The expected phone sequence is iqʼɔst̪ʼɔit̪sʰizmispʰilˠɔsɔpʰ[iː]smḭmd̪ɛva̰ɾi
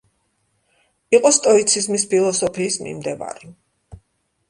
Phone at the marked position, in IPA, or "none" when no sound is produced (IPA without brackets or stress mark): iː